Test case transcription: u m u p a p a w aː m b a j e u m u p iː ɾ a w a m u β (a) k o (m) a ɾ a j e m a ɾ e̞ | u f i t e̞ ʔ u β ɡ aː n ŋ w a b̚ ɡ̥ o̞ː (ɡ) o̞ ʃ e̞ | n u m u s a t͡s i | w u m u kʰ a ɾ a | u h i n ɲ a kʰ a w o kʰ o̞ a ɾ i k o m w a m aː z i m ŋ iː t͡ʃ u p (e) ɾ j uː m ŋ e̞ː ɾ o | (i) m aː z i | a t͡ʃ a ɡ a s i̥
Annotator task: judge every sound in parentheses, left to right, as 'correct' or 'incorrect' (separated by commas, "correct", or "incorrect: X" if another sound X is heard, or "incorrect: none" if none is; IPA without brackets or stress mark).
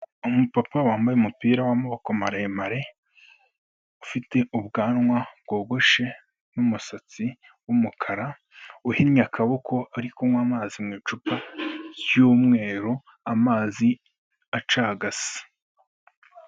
correct, correct, correct, incorrect: a, incorrect: a